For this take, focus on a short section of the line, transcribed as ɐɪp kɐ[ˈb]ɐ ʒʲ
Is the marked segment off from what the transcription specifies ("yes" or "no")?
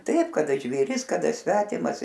yes